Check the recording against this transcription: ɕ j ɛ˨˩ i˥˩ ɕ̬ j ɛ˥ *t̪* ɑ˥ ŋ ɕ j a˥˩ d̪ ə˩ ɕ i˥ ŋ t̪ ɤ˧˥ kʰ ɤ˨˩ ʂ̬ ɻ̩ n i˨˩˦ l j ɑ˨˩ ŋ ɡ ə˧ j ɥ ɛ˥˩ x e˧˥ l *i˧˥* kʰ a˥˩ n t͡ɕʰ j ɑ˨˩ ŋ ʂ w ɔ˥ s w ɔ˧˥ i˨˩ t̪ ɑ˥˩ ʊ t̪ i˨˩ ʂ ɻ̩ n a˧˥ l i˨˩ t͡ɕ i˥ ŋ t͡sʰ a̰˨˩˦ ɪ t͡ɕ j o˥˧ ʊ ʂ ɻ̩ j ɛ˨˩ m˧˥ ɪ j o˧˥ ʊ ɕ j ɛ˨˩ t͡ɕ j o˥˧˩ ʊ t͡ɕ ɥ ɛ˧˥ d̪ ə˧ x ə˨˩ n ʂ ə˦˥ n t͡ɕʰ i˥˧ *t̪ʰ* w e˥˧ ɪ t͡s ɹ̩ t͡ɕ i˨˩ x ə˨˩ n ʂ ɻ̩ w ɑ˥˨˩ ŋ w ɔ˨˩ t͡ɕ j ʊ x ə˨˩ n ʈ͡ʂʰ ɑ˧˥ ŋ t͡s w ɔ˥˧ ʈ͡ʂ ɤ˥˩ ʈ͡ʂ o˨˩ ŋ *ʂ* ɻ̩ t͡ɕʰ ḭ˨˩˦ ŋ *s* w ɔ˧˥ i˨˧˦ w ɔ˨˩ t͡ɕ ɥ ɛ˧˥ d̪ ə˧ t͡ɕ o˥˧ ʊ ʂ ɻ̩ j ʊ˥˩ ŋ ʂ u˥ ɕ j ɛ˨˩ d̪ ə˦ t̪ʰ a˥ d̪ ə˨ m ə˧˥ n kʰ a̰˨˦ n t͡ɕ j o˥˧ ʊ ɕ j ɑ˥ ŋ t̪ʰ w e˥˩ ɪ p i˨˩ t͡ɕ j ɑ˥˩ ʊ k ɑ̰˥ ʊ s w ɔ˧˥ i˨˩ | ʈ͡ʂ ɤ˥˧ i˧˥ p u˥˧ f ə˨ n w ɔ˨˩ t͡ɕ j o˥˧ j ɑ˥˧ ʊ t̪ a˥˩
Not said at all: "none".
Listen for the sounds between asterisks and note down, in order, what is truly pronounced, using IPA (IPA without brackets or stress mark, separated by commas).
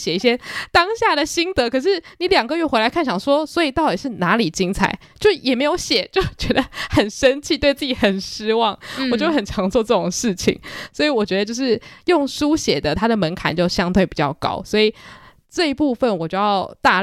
t̪, a˧˥, t̪, ʂ, s